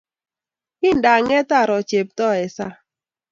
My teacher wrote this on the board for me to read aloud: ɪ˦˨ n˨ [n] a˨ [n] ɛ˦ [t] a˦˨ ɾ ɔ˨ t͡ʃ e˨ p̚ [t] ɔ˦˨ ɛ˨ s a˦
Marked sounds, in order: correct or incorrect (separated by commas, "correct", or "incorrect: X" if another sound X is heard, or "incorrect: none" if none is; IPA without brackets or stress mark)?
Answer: incorrect: d, incorrect: ŋ, correct, correct